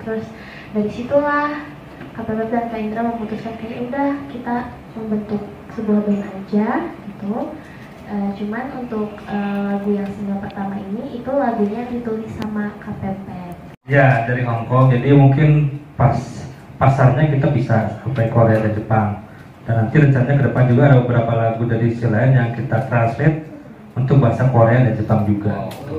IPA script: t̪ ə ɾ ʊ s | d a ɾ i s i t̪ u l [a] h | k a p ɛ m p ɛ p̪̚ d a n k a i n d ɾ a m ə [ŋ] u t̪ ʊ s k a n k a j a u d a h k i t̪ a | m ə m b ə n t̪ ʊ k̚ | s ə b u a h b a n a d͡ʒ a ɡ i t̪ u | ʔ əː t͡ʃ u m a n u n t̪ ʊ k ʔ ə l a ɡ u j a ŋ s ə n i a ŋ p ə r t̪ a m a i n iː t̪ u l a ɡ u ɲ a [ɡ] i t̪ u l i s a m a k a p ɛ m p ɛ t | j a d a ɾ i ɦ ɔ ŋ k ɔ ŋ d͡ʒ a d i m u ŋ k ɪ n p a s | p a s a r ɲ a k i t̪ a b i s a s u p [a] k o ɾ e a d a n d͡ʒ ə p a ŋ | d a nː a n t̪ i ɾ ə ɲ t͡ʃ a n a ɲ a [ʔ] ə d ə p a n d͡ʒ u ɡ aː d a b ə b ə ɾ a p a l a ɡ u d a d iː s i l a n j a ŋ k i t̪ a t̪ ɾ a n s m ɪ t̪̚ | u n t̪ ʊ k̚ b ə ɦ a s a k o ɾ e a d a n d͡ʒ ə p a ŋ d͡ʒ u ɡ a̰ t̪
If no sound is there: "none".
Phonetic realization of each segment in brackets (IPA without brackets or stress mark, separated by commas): a, m, d, a, k